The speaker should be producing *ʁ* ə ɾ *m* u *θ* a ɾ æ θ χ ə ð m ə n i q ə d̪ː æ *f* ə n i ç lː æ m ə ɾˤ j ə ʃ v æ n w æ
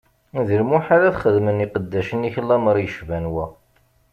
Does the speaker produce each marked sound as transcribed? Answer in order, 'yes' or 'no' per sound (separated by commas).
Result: no, yes, no, no